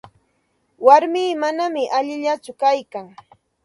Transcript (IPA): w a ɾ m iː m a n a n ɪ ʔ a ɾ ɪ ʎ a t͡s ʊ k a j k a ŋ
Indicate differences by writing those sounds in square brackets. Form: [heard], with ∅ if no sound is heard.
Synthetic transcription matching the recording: w a ɾ m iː m a n a [m] ɪ ʔ a [ʎ] ɪ ʎ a t͡s ʊ k a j k a ŋ